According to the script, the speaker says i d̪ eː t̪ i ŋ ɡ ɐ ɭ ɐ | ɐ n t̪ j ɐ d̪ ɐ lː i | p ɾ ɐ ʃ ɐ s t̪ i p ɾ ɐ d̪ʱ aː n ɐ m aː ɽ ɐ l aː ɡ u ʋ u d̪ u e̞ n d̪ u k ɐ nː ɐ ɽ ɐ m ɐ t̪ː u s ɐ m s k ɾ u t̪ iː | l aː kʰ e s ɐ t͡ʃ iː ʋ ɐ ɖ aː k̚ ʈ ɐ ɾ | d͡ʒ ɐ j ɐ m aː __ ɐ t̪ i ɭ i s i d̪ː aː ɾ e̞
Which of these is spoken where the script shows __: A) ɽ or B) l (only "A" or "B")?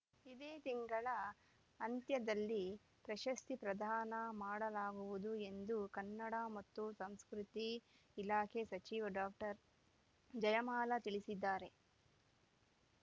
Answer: B